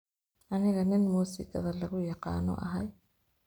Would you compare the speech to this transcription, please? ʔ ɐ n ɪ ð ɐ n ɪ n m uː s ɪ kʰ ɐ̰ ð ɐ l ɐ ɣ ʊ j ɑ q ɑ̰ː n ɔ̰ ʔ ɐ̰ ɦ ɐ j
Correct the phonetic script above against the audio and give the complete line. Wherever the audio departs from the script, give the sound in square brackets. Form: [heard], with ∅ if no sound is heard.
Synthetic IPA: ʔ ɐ n ɪ [ɣ] ɐ n ɪ n m uː s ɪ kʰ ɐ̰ ð ɐ l ɐ ɣ ʊ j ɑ q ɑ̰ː n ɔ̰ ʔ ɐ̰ ɦ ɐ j